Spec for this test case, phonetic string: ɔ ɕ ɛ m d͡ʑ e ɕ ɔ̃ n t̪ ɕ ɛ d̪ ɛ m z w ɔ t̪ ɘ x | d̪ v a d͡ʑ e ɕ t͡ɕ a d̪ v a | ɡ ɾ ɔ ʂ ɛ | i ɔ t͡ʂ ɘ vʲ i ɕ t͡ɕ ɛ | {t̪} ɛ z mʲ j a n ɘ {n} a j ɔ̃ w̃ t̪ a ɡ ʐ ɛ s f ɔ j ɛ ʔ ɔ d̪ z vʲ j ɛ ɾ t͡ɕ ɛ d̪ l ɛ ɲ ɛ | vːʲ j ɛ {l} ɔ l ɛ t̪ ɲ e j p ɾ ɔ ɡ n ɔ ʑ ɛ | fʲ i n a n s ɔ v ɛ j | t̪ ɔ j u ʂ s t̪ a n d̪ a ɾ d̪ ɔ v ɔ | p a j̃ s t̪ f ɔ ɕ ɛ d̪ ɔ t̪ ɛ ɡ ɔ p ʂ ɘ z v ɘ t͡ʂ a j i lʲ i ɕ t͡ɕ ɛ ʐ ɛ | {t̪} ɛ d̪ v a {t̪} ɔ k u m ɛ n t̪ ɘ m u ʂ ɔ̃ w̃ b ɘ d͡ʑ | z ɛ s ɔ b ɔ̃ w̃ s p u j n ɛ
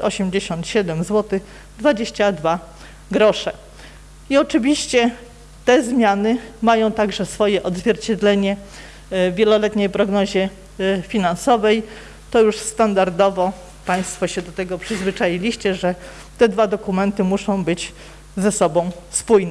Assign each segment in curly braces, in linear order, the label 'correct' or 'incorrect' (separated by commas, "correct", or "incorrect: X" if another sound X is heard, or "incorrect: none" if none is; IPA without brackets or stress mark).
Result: correct, incorrect: m, correct, correct, incorrect: d̪